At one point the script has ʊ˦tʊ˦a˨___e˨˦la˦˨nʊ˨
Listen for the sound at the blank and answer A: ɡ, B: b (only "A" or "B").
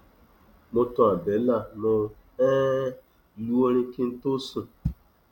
B